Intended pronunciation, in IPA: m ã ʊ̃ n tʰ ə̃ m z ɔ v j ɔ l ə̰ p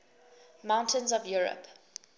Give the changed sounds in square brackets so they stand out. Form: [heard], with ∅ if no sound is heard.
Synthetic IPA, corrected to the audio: m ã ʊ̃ n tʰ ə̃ [n] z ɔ v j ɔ [ɹ] ə̰ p